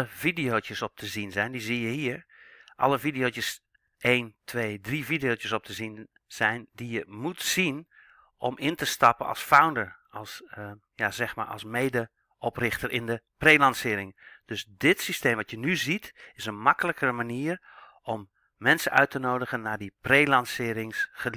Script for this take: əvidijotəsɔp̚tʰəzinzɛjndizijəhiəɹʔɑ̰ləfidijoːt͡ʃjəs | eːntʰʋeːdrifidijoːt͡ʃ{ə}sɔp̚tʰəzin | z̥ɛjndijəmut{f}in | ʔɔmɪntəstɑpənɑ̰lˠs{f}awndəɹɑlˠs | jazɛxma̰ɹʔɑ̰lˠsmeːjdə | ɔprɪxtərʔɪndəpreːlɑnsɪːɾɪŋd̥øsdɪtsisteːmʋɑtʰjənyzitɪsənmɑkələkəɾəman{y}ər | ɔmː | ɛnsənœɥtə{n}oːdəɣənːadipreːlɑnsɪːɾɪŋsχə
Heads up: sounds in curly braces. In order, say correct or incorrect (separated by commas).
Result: correct, incorrect, correct, incorrect, correct